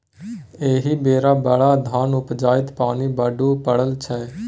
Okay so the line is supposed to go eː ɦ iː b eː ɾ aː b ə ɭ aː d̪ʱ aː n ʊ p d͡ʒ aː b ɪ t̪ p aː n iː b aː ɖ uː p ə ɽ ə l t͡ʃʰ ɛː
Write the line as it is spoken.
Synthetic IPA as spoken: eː ɦ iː b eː ɾ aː b ə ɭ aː d̪ʱ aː n ʊ p d͡ʒ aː ɪ t̪ p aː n iː b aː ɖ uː p ə ɽ ə l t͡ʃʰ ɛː